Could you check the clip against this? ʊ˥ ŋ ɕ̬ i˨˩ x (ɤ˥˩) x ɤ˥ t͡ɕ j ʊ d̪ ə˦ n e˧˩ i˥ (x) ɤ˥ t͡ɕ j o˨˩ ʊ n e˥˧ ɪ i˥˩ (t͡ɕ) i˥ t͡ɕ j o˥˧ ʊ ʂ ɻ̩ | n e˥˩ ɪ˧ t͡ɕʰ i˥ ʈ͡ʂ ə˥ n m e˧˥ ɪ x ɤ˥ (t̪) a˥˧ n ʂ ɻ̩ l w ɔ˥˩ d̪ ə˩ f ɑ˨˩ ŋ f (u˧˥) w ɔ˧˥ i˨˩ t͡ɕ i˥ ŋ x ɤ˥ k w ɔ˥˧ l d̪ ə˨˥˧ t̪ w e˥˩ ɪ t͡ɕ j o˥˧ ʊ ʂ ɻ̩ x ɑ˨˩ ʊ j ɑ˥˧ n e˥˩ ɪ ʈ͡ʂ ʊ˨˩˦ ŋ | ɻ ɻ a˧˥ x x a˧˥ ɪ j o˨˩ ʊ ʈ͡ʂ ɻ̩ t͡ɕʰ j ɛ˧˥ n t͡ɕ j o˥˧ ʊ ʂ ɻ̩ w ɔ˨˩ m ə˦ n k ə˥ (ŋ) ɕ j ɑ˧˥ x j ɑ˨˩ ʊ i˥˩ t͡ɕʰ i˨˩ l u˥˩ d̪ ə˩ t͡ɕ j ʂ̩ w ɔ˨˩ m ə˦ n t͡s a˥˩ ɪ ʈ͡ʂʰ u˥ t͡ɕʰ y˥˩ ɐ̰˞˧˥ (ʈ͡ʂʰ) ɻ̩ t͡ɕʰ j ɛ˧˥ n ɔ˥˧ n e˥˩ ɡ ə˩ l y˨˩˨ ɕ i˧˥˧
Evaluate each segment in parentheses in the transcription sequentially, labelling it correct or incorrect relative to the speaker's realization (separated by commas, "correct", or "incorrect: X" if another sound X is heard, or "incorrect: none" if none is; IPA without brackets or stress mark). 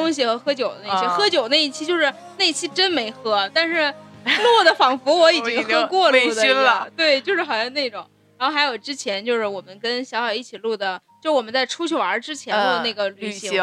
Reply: incorrect: ɤ˧˥, correct, incorrect: t͡ɕʰ, correct, correct, incorrect: n, incorrect: ʈ͡ʂ